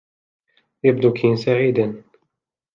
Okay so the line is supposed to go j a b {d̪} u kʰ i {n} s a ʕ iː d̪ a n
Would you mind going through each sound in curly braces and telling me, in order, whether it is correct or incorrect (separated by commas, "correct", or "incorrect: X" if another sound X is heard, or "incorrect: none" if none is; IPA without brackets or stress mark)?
correct, correct